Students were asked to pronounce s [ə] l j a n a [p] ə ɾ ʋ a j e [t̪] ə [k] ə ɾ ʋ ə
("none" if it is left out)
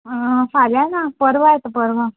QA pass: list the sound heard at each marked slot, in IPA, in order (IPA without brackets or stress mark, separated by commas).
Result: a, p, t̪, p